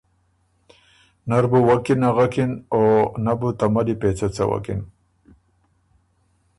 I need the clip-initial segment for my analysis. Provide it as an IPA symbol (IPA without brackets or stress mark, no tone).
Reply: n